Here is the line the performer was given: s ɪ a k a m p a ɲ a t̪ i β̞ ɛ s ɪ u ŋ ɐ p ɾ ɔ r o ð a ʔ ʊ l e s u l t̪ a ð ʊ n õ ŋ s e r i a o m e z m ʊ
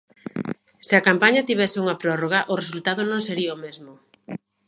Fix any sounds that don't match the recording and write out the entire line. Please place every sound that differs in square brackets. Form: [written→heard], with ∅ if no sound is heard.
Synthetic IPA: s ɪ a k a m p a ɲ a t̪ i β̞ ɛ s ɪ u ŋ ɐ p ɾ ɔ r o [ð→ɣ] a ʔ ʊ [l→r] e s u l t̪ a ð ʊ n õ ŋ s e [r→ɾ] i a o m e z m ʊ